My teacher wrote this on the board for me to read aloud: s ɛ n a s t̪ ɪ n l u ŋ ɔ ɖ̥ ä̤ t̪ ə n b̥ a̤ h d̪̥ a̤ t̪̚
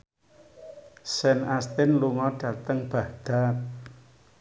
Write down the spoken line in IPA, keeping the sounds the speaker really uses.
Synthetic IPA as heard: s ɛ n a s t̪ ɪ n l u ŋ ɔ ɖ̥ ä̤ t̪ ə ŋ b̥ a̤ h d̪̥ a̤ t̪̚